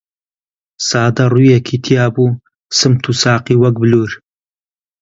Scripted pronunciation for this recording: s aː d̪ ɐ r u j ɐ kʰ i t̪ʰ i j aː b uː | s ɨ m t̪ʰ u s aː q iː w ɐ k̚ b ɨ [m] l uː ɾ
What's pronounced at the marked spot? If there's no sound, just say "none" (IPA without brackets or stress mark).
none